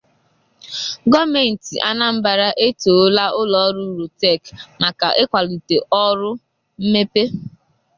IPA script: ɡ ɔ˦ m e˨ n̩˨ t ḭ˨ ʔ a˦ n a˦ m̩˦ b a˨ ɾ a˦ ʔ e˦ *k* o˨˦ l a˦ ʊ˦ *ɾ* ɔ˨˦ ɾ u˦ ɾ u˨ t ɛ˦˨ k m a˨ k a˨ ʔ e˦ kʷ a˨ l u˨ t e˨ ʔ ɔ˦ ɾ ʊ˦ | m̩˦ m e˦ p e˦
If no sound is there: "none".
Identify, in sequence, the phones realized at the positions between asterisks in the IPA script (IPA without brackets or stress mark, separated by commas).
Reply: t, l